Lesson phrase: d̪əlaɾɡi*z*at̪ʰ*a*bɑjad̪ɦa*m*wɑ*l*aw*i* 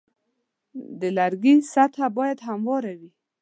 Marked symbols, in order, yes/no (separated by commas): no, yes, yes, no, yes